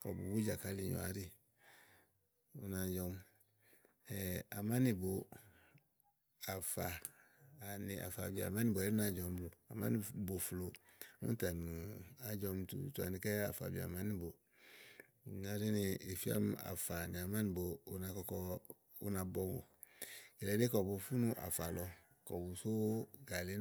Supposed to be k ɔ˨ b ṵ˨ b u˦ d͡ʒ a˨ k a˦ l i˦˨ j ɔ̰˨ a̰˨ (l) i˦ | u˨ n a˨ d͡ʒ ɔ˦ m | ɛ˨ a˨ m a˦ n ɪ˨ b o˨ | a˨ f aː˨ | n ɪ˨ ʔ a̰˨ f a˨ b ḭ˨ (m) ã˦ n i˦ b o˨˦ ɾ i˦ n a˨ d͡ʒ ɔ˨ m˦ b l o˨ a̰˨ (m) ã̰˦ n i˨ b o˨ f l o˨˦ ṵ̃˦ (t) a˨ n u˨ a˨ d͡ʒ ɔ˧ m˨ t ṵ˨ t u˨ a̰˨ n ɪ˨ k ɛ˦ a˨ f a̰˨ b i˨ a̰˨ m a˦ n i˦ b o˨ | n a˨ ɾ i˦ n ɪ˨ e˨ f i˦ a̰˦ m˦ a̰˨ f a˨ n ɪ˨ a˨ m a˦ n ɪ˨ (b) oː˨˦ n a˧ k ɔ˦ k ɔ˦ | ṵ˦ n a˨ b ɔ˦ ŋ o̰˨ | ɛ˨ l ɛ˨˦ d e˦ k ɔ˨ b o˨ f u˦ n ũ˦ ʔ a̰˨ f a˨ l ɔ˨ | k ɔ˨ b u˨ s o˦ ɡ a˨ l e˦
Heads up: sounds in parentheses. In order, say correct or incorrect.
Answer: incorrect: ɾ, correct, correct, correct, correct

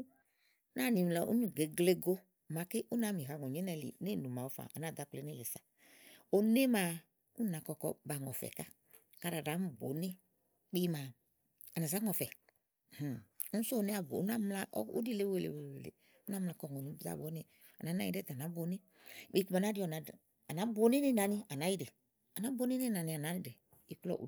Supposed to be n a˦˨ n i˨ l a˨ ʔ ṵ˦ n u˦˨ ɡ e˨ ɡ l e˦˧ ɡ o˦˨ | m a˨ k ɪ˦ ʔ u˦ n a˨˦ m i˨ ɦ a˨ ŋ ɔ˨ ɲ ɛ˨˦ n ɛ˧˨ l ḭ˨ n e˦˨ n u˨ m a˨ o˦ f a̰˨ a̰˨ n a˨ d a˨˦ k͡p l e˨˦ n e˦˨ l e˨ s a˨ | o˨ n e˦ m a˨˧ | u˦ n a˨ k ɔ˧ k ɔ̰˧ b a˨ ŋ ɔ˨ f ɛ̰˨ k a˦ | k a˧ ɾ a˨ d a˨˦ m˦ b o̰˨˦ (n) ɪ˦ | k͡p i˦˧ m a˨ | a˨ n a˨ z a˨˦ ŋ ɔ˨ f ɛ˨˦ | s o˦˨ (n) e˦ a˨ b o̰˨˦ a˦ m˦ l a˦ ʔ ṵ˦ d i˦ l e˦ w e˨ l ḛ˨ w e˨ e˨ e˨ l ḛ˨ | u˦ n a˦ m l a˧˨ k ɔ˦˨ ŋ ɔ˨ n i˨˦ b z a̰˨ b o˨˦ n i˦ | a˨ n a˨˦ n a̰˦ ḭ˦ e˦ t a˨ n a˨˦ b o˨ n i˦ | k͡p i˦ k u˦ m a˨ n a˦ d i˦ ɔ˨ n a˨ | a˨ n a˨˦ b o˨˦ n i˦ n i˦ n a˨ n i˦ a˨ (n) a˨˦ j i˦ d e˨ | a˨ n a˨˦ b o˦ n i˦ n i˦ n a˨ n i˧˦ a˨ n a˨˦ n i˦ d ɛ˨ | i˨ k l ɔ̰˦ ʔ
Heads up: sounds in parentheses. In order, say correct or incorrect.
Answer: correct, correct, correct

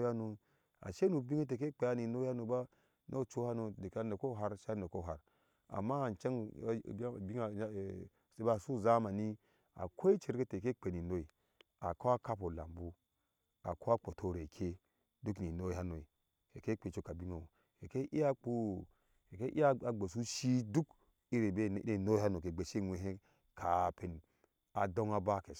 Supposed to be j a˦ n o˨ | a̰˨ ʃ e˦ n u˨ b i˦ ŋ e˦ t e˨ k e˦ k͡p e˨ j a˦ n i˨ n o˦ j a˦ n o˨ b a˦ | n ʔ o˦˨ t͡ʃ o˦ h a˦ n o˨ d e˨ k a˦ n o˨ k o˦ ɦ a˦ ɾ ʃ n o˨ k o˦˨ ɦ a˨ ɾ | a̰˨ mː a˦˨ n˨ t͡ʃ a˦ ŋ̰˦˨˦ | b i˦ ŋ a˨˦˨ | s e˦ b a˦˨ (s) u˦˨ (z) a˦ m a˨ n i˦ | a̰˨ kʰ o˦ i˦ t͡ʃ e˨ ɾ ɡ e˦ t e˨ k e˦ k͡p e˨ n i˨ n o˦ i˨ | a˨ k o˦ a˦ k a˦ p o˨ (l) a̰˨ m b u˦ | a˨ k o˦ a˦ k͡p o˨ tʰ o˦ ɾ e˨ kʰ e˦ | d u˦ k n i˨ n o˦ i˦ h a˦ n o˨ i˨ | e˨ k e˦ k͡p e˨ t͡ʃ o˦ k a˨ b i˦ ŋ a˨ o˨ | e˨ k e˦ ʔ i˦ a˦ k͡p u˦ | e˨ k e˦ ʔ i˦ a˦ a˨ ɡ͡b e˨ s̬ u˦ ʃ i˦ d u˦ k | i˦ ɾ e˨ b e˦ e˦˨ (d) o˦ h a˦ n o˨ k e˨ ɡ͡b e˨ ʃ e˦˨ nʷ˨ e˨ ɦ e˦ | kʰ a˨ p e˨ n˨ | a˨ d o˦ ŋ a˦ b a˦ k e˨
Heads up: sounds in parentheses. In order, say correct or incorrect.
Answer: correct, correct, correct, incorrect: n

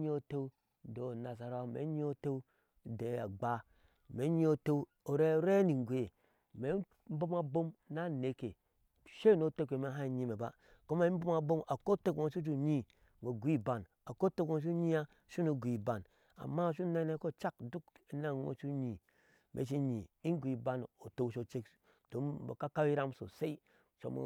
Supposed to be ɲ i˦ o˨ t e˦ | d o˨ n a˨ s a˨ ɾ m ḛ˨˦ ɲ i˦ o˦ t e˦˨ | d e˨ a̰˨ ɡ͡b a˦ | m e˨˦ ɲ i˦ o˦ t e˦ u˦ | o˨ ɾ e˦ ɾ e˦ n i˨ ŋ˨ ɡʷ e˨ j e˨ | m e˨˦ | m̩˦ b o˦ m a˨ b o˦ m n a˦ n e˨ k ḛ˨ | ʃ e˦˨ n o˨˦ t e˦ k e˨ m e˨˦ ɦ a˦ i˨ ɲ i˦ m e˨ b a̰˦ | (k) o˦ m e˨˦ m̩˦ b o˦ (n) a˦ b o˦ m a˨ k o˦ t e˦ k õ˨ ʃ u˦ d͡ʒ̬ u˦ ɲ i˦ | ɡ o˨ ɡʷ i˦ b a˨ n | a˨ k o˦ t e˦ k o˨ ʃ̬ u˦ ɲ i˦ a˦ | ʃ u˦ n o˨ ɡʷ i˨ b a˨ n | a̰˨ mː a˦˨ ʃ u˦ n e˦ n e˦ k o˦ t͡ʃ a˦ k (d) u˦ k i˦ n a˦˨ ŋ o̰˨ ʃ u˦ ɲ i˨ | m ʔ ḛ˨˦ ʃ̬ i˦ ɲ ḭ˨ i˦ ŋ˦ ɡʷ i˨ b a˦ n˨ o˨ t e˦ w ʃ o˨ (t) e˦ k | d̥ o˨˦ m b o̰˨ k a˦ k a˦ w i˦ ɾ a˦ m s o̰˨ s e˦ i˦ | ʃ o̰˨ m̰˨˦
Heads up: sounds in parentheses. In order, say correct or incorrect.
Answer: correct, incorrect: m, correct, incorrect: t͡ʃ

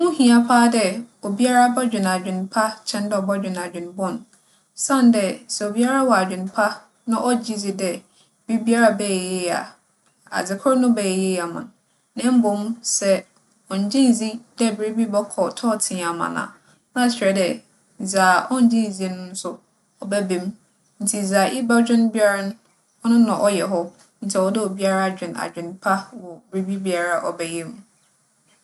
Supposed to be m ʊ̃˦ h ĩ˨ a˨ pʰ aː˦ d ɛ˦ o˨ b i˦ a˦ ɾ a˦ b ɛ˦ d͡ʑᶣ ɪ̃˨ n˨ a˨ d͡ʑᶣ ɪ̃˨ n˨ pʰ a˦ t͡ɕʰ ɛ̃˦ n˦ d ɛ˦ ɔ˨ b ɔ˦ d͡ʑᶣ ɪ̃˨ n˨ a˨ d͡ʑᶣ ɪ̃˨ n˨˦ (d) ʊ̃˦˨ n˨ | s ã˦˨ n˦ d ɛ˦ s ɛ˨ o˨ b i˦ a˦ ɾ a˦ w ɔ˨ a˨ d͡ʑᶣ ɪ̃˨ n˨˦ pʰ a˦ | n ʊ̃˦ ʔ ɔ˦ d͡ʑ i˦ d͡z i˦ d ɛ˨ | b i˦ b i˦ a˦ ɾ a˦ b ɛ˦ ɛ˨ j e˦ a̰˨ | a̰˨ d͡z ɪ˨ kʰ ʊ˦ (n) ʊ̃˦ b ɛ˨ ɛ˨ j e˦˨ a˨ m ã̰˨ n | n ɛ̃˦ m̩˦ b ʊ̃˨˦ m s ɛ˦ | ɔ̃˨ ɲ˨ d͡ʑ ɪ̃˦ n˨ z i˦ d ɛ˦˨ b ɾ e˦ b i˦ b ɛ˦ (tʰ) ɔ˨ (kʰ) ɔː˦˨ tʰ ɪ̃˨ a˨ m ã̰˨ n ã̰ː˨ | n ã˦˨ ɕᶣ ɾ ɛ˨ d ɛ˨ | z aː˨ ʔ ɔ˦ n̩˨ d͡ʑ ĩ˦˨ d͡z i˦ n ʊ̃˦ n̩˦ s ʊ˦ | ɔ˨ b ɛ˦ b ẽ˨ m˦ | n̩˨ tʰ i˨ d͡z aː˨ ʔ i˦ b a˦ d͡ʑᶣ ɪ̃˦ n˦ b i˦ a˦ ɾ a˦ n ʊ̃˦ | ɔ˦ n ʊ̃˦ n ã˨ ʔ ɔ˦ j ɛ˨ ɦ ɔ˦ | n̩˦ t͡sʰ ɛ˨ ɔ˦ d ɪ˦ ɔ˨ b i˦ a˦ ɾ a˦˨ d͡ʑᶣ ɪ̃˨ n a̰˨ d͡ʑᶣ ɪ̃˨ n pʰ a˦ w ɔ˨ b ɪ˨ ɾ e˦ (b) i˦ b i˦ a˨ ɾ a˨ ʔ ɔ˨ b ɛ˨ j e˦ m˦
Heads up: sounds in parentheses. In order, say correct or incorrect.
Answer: incorrect: b, correct, incorrect: kʰ, incorrect: tʰ, correct

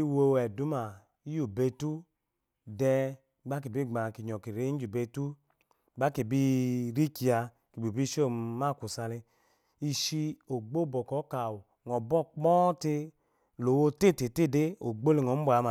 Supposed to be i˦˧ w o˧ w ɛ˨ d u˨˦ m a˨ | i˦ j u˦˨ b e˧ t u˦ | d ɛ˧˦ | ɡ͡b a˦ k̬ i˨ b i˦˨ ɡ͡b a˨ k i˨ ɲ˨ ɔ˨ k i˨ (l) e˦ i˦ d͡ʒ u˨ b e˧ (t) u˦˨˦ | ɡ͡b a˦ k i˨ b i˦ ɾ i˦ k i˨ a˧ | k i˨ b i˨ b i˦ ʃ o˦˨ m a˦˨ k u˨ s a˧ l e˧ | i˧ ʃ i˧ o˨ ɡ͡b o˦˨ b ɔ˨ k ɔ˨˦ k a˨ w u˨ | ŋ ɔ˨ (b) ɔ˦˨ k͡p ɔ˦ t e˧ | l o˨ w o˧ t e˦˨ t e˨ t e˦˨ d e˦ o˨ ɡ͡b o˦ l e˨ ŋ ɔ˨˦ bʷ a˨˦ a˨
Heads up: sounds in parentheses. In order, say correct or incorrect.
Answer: incorrect: ɾ, correct, correct

